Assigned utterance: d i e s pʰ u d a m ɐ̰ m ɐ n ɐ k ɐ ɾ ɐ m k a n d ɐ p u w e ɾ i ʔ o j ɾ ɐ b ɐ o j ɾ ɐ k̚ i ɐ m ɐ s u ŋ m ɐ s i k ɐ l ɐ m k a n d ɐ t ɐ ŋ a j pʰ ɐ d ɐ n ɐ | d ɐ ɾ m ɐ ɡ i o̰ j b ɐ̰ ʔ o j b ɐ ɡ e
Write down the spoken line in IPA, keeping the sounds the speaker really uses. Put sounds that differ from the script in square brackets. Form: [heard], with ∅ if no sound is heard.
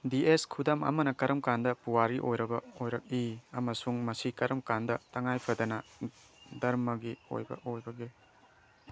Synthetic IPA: d i e s [kʰ] u d a m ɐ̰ m ɐ n ɐ k ɐ ɾ ɐ m k a n d ɐ p u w [a] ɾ i ʔ o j ɾ ɐ b ɐ o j ɾ ɐ k̚ i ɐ m ɐ s u ŋ m ɐ s i k ɐ [ɾ] ɐ m k a n d ɐ t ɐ ŋ a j pʰ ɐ d ɐ n ɐ | d ɐ ɾ m ɐ ɡ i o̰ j b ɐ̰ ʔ o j b ɐ ɡ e

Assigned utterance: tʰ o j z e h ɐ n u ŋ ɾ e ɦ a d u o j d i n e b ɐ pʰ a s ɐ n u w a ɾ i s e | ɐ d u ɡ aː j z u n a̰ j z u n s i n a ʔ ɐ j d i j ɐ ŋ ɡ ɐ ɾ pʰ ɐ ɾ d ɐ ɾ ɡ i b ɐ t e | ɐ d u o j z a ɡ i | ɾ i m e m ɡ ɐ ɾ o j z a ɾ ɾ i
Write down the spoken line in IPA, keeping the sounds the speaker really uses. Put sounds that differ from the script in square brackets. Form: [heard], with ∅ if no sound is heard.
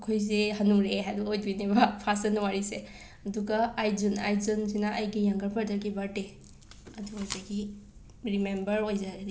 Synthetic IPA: [kʰ] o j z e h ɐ n u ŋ ɾ e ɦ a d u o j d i n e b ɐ pʰ a s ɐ n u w a ɾ i s e | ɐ d u ɡ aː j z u n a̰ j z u n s i n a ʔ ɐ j [ɡ] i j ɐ ŋ ɡ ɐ ɾ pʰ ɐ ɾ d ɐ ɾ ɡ i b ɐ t e | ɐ d u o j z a ɡ i | ɾ i m e m [b] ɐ ɾ o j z a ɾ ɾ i

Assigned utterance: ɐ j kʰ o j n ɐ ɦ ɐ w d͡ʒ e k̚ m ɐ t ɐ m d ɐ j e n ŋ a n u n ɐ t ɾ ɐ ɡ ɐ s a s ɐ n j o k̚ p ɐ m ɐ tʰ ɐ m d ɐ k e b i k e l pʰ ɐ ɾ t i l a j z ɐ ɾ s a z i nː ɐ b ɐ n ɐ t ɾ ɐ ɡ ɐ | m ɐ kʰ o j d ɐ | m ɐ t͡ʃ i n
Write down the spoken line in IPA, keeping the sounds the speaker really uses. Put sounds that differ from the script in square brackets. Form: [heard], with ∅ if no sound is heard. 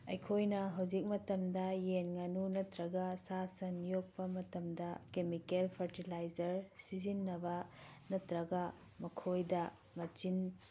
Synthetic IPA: ɐ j kʰ o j n ɐ ɦ ɐ w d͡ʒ [i] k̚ m ɐ t ɐ m d ɐ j e n ŋ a n u n ɐ t ɾ ɐ ɡ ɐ s a s ɐ n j o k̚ p ɐ m ɐ [t] ɐ m d ɐ k e [m] i k e l pʰ ɐ ɾ t i l a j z ɐ ɾ s [i] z i nː ɐ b ɐ n ɐ t ɾ ɐ ɡ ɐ | m ɐ kʰ o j d ɐ | m ɐ t͡ʃ i n

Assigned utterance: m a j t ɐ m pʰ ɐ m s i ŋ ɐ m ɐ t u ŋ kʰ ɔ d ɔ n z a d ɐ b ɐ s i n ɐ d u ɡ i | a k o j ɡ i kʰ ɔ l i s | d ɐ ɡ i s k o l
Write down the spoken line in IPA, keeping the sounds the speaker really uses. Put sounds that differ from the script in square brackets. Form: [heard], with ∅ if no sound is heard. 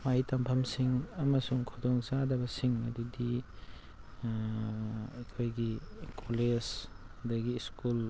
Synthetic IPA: m a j t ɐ m pʰ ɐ m s i ŋ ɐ m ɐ [s] u ŋ kʰ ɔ d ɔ [ŋ] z a d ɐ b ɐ s i [ŋ] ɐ d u [d] i | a [kʰ] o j ɡ i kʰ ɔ l [e] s | d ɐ ɡ i s k [u] l

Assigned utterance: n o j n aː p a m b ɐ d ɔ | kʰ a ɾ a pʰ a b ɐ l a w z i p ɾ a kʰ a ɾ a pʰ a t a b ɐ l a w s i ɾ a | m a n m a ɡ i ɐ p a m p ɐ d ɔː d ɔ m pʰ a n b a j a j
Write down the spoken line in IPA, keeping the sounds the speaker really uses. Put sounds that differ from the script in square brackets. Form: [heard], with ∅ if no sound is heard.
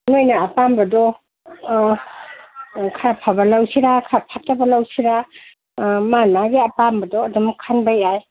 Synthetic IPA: n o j n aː p a m b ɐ d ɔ | kʰ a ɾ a pʰ a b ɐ l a w [s] i [∅] ɾ a kʰ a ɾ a pʰ a t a b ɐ l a w s i ɾ a | m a n m a ɡ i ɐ p a m [b] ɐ d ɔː d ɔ m [kʰ] a n b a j a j

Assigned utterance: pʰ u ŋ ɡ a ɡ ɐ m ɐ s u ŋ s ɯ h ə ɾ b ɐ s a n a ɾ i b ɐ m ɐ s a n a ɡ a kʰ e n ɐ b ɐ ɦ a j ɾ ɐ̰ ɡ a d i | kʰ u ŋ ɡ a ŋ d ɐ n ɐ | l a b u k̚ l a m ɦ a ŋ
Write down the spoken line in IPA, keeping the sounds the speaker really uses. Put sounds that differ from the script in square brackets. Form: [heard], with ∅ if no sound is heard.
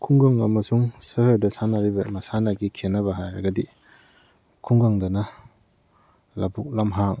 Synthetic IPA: [kʰ] u ŋ ɡ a [ŋ] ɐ m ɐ s u ŋ s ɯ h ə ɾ [d] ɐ s a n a ɾ i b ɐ m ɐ s a n a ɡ [i] kʰ e n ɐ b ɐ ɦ a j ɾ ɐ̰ ɡ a d i | kʰ u ŋ ɡ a ŋ d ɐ n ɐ | l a b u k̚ l a m ɦ a ŋ

